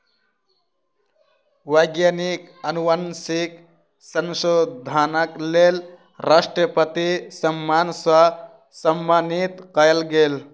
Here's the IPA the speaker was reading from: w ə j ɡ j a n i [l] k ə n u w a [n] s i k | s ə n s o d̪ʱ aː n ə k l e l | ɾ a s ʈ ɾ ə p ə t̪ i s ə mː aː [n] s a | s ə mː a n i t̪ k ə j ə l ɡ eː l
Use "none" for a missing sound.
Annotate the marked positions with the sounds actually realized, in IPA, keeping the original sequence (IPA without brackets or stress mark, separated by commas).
none, n, n